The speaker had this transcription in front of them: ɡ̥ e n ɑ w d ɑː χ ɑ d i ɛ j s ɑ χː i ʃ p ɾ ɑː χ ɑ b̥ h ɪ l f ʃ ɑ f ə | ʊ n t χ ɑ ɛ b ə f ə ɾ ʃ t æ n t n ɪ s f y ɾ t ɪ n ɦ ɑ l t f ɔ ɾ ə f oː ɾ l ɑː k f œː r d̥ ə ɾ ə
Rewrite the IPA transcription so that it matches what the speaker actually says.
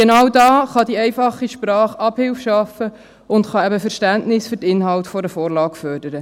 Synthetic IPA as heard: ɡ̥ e n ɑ w d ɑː χ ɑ d i ɛ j f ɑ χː i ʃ p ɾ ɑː χ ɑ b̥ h ɪ l f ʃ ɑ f ə | ʊ n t χ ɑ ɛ b ə f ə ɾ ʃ t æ n t n ɪ s f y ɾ t ɪ n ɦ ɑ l t f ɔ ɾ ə f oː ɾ l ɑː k f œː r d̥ ə ɾ ə

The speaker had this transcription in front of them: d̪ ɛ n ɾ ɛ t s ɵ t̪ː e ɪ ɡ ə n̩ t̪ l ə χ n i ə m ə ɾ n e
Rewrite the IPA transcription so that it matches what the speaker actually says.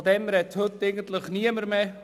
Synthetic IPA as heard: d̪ ɛ m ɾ ɛ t h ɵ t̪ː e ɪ ɡ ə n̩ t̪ l ə χ n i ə m ə ɾ m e

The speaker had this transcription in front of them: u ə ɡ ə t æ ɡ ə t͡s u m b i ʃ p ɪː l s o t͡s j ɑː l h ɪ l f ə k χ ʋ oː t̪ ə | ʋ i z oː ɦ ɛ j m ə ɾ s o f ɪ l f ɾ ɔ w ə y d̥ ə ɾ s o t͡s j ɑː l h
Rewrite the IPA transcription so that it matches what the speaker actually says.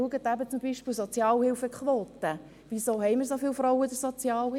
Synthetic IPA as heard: u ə ɡ ə t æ b ə t͡s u m b i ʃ p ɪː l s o t͡s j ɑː l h ɪ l f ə k χ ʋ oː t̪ ə | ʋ i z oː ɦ ɛ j m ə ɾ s o f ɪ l f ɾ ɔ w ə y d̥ ə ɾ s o t͡s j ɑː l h

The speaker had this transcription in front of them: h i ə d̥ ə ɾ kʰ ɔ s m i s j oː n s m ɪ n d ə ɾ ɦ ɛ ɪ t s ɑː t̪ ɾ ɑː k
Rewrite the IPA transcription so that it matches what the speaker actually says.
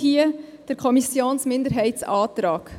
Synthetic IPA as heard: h i ə d̥ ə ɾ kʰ ɔ m i s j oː n s m ɪ n d ə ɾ ɦ ɛ ɪ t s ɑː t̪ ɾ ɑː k

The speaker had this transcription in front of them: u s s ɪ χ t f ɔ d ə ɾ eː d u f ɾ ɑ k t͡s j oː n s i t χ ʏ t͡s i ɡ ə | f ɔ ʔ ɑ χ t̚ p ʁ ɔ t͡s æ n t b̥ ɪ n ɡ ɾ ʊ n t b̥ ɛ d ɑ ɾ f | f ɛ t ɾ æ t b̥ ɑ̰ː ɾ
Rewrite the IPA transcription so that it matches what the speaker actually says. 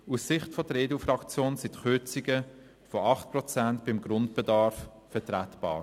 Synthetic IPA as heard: u s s ɪ χ t f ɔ d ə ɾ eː d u f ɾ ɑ k t͡s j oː n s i t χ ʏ t͡s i ɡ ə | f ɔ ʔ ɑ χ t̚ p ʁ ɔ t͡s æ n t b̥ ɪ m ɡ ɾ ʊ n t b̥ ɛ d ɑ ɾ f | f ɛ t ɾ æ t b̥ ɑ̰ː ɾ

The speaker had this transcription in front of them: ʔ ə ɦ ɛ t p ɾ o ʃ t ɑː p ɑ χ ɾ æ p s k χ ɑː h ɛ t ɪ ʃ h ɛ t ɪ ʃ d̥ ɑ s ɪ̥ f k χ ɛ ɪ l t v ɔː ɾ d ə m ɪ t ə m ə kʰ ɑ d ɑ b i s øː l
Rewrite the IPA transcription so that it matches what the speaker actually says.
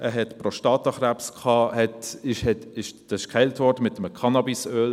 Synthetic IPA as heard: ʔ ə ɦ ɛ t p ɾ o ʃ t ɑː t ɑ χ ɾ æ p s k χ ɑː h ɛ t ɪ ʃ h ɛ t ɪ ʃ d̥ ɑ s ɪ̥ ʃ k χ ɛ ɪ l t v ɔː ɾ d ə m ɪ t ə m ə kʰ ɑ n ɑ b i s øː l

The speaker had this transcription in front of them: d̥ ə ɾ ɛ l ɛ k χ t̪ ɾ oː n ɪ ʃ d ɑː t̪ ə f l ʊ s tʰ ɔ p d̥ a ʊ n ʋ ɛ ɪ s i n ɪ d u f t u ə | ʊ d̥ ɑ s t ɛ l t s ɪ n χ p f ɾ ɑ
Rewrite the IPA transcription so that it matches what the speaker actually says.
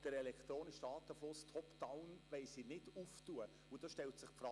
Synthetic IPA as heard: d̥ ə ɾ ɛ l ɛ k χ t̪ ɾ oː n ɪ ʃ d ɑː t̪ ə f l ʊ s tʰ ɔ p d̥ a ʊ n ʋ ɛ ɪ s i n ɪ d u f t u ə | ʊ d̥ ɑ ʃ t ɛ l t s ɪ χ p f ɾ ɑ

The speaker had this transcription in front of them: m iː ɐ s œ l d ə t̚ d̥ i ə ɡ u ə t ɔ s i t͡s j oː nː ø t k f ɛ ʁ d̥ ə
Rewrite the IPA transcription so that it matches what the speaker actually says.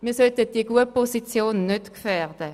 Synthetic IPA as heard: m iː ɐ s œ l t ə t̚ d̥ i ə ɡ u ə p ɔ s i t͡s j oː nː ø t k f ɛ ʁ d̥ ə

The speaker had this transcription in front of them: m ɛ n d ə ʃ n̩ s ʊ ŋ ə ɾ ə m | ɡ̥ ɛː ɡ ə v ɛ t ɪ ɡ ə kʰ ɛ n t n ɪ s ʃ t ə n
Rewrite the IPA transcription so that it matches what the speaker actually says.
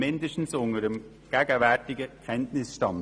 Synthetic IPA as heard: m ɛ n d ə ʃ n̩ s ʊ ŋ ə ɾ ə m | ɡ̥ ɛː ɡ ə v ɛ t ɪ ɡ ə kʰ ɛ n t n ɪ s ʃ t ɑ n

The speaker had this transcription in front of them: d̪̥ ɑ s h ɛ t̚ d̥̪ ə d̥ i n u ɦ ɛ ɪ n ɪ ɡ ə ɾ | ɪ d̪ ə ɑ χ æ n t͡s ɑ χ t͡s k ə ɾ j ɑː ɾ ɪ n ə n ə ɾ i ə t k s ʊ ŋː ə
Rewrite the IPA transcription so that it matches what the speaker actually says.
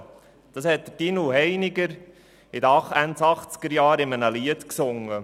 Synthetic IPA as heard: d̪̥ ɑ s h ɛ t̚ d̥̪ ə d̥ i n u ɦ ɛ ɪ n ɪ ɡ ə ɾ | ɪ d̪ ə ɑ χ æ n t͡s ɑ χ t͡s k ə ɾ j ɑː ɾ ɪ m ə n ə l i ə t k s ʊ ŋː ə

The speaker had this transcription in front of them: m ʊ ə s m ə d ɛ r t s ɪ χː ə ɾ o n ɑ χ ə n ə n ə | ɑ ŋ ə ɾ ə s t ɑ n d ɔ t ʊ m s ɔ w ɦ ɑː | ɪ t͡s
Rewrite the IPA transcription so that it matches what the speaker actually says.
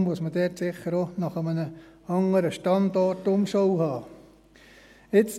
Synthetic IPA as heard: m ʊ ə s m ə d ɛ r t s ɪ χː ə ɾ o n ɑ χ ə m ə n ə | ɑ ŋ ə ɾ ə ʃ t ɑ n d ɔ t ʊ m ʃ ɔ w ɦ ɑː | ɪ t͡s

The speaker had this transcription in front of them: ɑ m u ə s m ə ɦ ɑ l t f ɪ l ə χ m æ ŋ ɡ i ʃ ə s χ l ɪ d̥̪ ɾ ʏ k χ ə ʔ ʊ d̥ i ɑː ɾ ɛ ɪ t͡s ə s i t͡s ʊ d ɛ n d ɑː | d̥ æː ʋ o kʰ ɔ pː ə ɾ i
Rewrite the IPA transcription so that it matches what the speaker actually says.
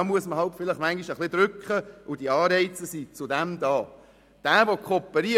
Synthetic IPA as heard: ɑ m u ə s m ə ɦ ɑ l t f ɪ l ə χ m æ ŋ ɡ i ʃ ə χ l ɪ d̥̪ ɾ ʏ k χ ə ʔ ʊ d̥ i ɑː ɾ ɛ ɪ t͡s ə s i t͡s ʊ d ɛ m d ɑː | d̥ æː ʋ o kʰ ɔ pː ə ɾ i

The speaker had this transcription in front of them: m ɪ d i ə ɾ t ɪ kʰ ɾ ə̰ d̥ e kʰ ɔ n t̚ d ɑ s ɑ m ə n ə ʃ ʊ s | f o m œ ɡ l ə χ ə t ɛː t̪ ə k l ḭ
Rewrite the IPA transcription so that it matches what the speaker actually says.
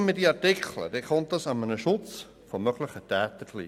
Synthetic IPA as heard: m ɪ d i ɑ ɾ t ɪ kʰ l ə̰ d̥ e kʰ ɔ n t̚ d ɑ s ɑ m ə n ə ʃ ʊ t͡s | f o m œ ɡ l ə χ ə t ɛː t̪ ə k l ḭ

